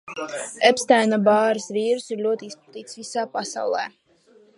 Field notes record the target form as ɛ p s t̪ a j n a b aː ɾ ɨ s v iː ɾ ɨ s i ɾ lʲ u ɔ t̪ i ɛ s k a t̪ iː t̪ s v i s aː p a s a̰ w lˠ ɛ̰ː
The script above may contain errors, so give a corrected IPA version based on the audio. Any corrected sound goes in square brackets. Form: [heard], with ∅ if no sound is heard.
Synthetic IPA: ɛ p s t̪ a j n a b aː ɾ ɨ s v iː ɾ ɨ s i ɾ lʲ u ɔ t̪ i [i] s [p] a t̪ iː t̪ s v i s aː p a s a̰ w lˠ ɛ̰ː